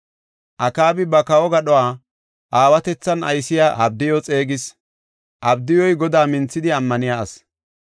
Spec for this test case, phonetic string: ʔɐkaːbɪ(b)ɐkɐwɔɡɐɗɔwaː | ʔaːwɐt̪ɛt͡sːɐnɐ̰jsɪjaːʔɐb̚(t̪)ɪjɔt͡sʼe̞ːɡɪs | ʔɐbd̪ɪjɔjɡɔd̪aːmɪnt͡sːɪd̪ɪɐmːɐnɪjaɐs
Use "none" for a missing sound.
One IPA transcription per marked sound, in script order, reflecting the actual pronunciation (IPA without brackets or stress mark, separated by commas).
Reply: b, d̪